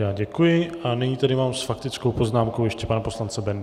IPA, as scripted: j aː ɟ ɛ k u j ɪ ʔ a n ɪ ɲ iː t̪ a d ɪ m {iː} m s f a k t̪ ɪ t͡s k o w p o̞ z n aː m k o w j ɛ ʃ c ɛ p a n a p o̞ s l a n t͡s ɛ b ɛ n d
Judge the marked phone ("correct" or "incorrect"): incorrect